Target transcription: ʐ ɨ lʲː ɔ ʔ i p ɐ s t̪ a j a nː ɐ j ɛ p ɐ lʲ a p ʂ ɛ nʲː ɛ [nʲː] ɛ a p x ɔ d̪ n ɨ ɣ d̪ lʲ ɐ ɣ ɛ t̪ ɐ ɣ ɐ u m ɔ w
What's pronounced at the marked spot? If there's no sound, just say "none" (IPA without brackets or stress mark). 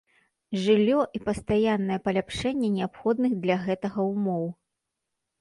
nʲ